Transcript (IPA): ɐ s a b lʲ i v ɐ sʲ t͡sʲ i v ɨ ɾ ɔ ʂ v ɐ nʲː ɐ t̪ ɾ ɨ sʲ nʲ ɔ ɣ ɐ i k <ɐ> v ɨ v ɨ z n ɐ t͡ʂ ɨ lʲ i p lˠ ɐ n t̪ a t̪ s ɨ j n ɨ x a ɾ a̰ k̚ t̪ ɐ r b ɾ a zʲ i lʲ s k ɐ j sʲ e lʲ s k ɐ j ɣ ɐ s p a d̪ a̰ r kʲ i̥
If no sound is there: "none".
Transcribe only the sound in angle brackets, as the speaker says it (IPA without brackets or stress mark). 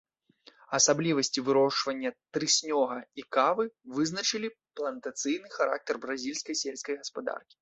a